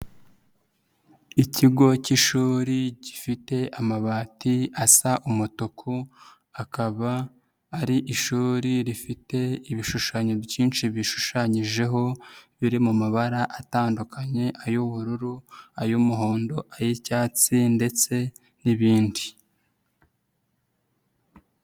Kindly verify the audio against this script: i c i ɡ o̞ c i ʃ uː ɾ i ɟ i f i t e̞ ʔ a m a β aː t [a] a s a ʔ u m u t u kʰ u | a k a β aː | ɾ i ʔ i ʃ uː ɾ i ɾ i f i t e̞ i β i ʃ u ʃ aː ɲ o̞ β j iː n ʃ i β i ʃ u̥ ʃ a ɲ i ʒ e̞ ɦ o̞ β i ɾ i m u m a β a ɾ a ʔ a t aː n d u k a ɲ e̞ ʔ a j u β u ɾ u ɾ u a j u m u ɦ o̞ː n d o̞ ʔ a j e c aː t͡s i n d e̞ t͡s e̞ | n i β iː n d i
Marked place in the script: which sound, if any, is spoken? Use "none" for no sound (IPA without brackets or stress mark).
i